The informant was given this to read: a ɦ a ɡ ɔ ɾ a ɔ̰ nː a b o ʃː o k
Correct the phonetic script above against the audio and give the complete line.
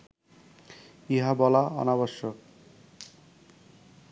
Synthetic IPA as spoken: i ɦ a b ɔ l a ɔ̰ n a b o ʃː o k